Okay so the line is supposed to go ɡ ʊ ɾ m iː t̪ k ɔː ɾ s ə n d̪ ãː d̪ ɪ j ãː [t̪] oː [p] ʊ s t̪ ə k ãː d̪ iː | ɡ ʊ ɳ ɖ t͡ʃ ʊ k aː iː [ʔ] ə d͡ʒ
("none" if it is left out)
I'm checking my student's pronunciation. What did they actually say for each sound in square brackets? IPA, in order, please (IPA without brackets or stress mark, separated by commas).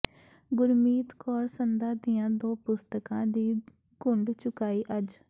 d̪, p, ʔ